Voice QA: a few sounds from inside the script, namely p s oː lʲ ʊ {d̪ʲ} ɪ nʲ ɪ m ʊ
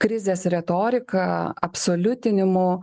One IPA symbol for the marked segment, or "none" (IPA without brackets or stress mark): t̪ʲ